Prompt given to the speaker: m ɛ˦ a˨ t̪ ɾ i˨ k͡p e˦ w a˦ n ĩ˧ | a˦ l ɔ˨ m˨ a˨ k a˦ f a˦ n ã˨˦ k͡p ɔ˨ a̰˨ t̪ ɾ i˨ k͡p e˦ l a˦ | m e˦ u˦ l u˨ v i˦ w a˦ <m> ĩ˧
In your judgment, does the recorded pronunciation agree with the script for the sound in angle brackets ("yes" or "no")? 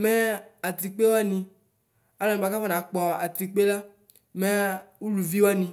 no